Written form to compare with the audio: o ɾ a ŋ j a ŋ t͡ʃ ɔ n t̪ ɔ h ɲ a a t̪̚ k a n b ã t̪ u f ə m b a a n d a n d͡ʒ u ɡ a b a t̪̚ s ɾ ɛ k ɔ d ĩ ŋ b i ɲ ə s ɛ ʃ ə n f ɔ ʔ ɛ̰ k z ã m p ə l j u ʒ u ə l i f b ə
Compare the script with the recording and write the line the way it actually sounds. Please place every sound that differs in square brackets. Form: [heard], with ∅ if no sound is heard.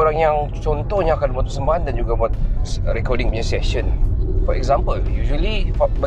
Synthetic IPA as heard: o ɾ a ŋ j a ŋ t͡ʃ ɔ n t̪ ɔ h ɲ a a [∅] k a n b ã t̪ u [s] ə m b a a n d a n d͡ʒ u ɡ a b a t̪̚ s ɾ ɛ k ɔ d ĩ ŋ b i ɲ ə s ɛ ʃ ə n f ɔ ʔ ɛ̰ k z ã m p ə l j u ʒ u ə l i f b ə